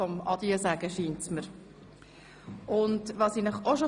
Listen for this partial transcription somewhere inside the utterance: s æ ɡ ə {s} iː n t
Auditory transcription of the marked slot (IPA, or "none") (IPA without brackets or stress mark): ʃ